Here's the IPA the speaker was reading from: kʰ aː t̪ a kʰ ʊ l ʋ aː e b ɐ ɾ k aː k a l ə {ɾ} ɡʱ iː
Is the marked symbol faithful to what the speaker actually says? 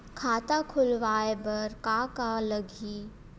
no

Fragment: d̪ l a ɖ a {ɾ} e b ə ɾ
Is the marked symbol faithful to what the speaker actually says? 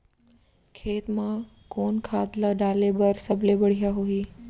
no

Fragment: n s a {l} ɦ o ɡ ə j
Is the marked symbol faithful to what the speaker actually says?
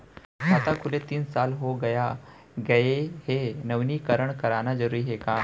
yes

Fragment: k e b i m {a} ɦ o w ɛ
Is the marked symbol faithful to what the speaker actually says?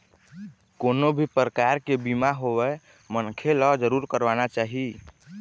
yes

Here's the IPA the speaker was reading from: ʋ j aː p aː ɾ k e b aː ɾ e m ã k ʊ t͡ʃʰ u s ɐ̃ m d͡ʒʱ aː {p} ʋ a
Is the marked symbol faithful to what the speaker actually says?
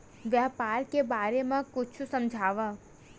no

